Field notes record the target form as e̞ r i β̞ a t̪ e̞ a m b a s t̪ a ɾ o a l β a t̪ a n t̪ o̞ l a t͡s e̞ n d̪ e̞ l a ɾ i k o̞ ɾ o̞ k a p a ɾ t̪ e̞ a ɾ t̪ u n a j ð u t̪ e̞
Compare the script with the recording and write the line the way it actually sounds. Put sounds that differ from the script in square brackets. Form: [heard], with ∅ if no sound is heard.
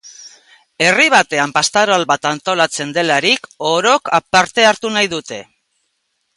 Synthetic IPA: e̞ r i β̞ a t̪ e̞ a m [p] a s t̪ a ɾ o a l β a t̪ a n t̪ o̞ l a t͡s e̞ n d̪ e̞ l a ɾ i k o̞ ɾ o̞ k a p a ɾ t̪ e̞ a ɾ t̪ u n a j ð u t̪ e̞